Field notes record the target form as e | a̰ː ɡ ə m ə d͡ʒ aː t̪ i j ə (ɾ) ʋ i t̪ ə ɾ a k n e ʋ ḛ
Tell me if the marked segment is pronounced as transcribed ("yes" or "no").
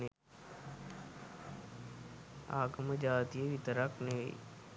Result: no